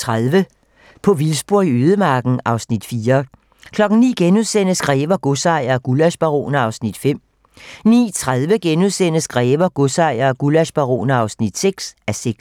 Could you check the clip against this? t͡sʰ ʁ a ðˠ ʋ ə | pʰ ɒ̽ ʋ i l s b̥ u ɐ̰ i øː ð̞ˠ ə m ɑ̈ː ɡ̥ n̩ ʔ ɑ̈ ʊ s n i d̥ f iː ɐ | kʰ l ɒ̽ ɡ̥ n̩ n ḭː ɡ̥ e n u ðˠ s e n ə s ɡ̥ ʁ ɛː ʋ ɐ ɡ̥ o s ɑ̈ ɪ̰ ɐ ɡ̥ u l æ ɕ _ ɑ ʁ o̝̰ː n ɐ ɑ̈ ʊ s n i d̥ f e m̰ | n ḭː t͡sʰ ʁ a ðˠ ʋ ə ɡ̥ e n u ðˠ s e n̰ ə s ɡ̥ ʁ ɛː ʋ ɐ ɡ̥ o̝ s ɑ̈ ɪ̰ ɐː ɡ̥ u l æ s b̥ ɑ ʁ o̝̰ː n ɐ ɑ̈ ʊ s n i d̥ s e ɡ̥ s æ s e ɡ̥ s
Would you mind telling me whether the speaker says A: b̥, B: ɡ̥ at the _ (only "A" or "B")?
A